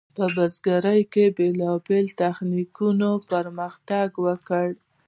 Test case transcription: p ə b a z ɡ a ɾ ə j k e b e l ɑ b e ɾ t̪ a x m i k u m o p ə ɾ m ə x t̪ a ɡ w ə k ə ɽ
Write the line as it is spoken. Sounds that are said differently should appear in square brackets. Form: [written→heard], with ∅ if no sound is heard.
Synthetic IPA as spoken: p ə b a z ɡ a ɾ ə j k e b e l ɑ b e [ɾ→l] t̪ a x [m→n] i k u [m→n] o p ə ɾ m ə x t̪ a ɡ w ə k ə ɽ